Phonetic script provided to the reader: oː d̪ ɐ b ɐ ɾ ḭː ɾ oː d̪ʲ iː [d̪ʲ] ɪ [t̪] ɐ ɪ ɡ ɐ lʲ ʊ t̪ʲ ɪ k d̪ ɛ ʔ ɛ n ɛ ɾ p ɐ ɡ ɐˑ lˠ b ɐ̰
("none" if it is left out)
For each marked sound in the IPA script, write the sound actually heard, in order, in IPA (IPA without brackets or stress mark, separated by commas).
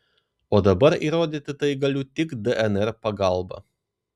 t̪ʲ, t̪